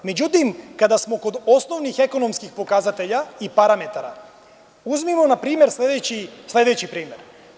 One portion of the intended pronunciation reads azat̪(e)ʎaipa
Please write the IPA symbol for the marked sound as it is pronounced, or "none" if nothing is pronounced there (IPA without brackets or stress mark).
e